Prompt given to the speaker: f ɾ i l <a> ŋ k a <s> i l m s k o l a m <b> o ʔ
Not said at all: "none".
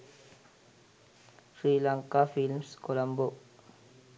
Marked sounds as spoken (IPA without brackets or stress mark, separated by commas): a, f, b